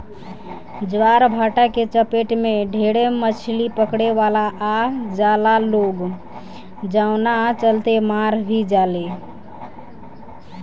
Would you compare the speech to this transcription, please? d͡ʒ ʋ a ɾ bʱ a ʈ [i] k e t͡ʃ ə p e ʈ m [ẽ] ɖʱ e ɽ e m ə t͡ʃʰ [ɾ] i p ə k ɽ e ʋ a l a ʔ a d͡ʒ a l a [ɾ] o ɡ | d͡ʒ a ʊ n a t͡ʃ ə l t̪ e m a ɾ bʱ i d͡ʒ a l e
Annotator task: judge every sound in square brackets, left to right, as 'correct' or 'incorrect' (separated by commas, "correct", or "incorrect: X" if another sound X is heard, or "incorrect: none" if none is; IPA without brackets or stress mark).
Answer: incorrect: a, incorrect: e, incorrect: l, incorrect: l